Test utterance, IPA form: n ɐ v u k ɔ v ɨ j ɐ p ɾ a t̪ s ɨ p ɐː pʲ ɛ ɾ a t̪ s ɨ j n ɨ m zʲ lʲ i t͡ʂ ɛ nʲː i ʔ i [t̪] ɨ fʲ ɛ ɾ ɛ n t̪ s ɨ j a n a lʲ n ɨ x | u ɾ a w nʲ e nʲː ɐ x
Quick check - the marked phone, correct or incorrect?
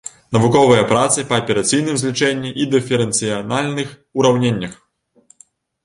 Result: incorrect